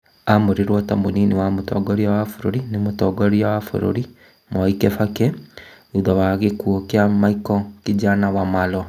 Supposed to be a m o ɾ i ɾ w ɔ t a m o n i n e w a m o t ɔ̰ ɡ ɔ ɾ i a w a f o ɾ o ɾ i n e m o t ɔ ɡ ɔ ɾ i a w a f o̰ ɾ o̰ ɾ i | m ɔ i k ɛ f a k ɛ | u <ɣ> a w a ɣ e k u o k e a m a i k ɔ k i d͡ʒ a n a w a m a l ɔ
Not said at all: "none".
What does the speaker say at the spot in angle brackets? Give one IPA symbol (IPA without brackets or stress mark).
ð